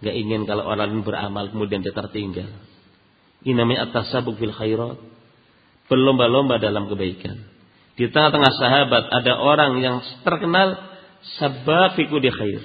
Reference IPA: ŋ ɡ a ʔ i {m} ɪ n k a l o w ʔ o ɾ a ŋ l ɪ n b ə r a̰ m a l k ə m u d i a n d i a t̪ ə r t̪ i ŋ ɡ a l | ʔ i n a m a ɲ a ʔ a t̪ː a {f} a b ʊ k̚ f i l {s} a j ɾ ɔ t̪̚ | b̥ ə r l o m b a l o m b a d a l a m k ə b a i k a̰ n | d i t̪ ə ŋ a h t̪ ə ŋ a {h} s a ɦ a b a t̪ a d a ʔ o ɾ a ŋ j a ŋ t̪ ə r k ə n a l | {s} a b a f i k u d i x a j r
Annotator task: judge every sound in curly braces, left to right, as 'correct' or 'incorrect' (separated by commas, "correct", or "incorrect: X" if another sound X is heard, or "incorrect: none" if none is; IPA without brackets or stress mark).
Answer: incorrect: ŋ, incorrect: s, incorrect: x, correct, correct